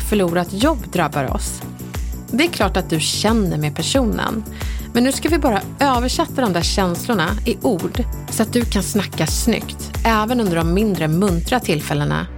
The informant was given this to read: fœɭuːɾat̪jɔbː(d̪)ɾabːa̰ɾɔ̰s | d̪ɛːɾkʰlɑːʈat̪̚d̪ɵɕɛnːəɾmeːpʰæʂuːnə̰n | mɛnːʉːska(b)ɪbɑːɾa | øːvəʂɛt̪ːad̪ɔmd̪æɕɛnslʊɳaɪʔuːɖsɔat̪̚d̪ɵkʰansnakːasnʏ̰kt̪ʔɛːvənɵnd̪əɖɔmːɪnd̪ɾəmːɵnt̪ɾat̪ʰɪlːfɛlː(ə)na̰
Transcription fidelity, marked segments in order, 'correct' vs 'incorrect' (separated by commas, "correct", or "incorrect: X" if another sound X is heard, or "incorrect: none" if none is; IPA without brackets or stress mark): correct, incorrect: v, correct